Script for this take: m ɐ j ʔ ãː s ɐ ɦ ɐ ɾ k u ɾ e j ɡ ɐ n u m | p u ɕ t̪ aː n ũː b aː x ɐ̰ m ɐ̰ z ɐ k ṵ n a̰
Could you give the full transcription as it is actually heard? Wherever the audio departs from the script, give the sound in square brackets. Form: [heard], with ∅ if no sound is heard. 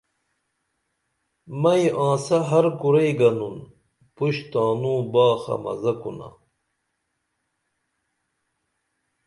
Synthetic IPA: m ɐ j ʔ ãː s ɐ ɦ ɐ ɾ k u ɾ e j ɡ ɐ n u [n] | p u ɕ t̪ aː n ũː b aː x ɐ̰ m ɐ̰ z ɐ k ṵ n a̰